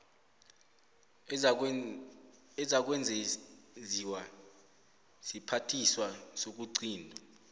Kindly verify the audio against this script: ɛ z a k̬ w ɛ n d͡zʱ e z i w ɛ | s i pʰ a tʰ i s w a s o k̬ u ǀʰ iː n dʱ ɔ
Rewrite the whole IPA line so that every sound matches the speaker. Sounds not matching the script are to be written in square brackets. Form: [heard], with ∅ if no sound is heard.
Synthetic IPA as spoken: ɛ z a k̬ w ɛ n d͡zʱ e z i w [a] | s i pʰ a tʰ i s w a s o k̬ u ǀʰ iː n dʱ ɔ